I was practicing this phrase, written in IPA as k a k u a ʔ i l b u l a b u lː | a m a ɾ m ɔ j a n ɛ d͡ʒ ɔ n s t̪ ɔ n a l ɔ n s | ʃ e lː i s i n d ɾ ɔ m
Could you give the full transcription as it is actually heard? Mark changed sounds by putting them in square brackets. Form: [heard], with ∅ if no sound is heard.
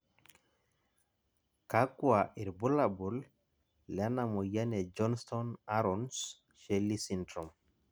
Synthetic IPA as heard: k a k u a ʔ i [ɾ] b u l a b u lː | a [n] a [∅] m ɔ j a n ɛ d͡ʒ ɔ n s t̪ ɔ n a [ɾ] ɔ n s | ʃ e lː i s i n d ɾ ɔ m